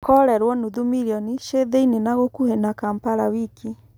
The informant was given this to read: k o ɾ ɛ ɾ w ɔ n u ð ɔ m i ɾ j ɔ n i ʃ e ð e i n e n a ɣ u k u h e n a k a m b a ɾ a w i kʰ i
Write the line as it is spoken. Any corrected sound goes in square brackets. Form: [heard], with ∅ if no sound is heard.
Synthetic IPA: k [ɔ] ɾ ɛ ɾ w ɔ n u ð [u] m i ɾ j ɔ n i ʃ e ð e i n e n a ɣ [o] k u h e n a k a m [p] a ɾ a w i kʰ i